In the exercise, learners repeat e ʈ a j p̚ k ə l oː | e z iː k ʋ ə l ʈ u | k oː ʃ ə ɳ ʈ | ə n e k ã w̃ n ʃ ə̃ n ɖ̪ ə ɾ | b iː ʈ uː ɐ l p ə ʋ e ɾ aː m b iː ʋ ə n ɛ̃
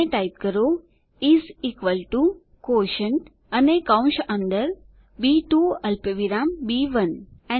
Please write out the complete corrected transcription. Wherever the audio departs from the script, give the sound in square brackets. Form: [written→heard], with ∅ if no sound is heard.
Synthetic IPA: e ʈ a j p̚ k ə [l→ɾ] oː | [e→i] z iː k ʋ ə l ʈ u | k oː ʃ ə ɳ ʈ | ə n e k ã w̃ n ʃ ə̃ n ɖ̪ ə ɾ | b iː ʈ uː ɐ l p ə ʋ [e→i] ɾ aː m b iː ʋ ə n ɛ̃